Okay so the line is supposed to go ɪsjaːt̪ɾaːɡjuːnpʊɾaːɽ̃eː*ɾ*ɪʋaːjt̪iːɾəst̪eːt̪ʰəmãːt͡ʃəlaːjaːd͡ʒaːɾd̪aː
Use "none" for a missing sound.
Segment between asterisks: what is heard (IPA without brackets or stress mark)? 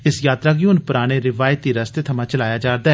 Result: ɾ